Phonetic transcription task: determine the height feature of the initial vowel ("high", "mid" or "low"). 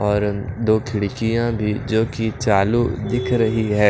mid